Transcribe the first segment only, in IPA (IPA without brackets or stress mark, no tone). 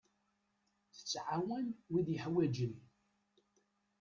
θ